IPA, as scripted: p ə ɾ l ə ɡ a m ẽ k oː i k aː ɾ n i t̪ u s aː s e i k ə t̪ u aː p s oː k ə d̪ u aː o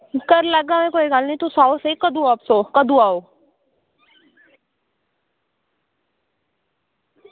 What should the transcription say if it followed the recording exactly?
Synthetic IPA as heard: k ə ɾ l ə ɡ a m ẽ k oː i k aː l n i t̪ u s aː s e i k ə d̪ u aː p s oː k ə d̪ u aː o